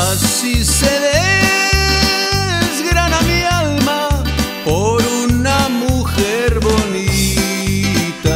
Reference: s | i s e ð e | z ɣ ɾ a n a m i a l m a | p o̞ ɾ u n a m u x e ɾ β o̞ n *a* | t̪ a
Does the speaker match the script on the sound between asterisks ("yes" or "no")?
no